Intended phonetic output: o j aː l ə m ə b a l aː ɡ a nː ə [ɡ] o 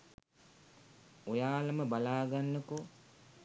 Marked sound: incorrect: k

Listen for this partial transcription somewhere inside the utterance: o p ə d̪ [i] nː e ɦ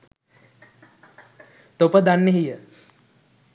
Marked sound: incorrect: a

